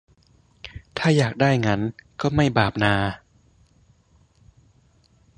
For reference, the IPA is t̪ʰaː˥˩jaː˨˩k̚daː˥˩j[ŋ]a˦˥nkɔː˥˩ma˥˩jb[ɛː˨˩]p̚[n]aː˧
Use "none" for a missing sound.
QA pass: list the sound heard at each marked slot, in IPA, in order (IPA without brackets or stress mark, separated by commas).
ŋ, aː˨˩, n